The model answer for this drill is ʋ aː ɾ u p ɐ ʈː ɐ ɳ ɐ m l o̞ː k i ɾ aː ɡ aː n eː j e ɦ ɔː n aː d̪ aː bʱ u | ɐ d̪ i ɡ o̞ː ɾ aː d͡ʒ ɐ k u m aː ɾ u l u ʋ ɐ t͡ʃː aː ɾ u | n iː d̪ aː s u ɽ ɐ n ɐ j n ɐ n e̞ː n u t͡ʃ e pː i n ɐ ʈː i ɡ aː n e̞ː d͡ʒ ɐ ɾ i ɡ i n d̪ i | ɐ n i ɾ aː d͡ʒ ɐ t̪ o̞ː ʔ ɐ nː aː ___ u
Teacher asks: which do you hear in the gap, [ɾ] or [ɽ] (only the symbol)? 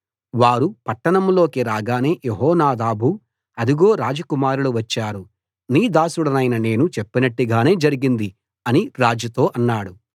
ɽ